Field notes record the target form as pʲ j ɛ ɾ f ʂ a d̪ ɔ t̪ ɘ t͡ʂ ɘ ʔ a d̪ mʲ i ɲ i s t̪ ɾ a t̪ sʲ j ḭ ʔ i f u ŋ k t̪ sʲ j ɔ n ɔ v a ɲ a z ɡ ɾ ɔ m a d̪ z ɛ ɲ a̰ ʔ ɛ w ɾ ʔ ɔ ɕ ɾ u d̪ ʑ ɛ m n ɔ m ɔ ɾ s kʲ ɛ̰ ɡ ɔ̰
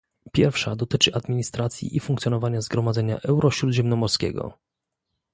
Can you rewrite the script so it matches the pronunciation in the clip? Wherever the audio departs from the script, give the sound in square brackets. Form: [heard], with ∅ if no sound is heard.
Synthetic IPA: pʲ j ɛ ɾ f ʂ a d̪ ɔ t̪ ɘ t͡ʂ ɘ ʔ a d̪ mʲ i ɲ i s t̪ ɾ a t̪ sʲ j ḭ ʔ i f u ŋ k t̪ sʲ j ɔ n ɔ v a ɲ a z ɡ ɾ ɔ m a d̪ z ɛ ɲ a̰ ʔ ɛ w ɾ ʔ ɔ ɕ ɾ u d̪ ʑ ɛ m n ɔ m ɔ ɾ s kʲ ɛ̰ ɡ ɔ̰